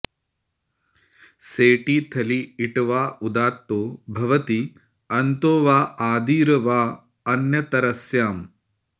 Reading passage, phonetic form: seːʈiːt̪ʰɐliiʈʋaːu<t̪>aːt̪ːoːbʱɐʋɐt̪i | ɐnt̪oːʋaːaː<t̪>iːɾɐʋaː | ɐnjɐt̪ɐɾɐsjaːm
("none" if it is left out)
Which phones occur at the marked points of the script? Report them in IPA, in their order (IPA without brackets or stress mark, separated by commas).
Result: d̪, d̪